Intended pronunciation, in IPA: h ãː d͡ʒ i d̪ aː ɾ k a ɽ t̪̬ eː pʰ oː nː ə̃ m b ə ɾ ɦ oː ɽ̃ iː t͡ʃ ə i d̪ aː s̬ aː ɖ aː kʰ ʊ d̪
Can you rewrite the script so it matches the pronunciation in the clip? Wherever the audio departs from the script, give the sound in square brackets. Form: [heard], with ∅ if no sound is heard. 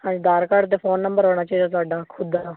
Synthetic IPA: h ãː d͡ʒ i d̪ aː ɾ k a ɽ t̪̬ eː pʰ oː nː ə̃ m b ə ɾ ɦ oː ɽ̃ [aː] t͡ʃ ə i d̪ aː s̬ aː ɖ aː kʰ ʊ d̪